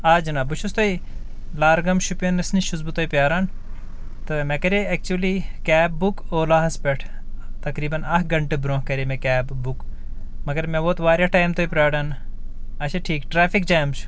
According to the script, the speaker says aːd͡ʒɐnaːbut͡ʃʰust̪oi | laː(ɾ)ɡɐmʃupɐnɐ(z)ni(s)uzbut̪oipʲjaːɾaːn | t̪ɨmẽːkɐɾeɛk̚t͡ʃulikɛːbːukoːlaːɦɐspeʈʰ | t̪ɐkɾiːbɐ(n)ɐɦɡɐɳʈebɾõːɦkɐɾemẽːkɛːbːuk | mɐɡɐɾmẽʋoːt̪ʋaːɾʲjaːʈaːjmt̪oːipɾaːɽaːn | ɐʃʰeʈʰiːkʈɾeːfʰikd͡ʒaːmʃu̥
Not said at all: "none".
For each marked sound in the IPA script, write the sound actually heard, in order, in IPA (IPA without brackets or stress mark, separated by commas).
ɾ, s, ʃ, n